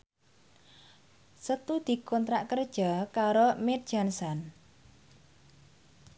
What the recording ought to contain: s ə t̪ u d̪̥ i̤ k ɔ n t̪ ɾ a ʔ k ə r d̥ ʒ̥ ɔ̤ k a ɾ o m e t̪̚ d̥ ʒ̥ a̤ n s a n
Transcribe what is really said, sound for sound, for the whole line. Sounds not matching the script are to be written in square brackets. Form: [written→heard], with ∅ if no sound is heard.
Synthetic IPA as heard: s ə t̪ u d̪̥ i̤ k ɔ n t̪ ɾ a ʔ k ə r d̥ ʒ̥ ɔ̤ k a ɾ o m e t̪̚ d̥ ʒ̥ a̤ n s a n